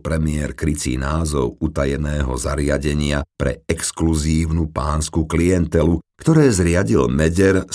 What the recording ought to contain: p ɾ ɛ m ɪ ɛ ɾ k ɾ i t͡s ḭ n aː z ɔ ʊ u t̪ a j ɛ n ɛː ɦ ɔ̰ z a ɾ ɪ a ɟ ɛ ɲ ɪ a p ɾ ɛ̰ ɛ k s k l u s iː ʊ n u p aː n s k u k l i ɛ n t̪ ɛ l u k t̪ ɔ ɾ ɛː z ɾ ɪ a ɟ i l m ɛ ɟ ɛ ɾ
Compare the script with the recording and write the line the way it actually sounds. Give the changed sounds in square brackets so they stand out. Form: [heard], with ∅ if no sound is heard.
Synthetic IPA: p ɾ ɛ m ɪ ɛ ɾ k ɾ i t͡s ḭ n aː z ɔ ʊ u t̪ a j ɛ n ɛː ɦ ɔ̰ z a ɾ ɪ a ɟ ɛ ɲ ɪ a p ɾ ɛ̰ ɛ k s k l u [z] iː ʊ n u p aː n s k u k l i ɛ n t̪ ɛ l u k t̪ ɔ ɾ ɛː z ɾ ɪ a ɟ i l m ɛ ɟ ɛ ɾ